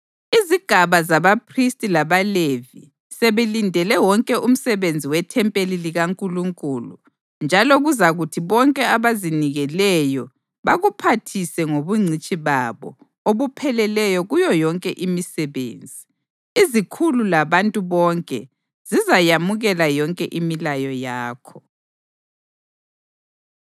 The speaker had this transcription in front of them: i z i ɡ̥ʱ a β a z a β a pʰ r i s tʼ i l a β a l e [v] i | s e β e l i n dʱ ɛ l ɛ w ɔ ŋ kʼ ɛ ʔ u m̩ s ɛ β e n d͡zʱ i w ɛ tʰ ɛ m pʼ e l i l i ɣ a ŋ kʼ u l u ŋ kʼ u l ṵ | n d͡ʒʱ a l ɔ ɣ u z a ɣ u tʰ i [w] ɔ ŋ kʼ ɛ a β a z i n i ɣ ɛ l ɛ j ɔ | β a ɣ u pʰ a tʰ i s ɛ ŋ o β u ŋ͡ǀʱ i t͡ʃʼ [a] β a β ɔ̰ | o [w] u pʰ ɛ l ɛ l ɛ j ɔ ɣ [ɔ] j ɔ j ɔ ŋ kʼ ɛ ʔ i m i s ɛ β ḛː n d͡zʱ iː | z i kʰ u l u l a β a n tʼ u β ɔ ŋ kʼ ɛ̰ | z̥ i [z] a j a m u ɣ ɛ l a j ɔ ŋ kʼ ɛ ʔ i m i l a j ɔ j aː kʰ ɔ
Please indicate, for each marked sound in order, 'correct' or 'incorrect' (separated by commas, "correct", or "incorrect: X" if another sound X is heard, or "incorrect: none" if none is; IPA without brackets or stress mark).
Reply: correct, incorrect: β, incorrect: i, incorrect: β, incorrect: u, correct